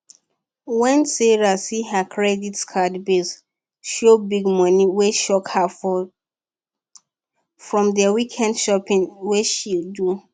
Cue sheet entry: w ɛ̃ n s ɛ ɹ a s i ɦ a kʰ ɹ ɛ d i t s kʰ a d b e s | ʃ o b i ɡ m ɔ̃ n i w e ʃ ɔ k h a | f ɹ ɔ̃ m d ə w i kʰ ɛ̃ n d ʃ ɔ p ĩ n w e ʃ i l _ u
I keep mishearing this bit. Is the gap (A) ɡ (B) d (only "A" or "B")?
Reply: B